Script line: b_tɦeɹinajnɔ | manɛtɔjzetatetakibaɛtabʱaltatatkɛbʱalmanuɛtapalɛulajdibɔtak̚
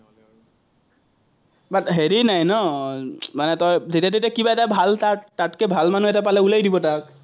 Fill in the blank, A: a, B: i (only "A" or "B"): A